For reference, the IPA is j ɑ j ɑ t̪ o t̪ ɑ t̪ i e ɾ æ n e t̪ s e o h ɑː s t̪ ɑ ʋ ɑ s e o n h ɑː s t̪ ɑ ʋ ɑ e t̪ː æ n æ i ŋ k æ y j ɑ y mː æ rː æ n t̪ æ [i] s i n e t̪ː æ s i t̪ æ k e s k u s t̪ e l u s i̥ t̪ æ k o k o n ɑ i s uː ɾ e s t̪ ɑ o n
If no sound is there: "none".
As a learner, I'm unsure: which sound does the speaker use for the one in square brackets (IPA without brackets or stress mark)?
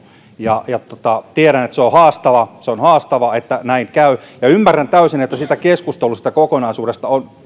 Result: y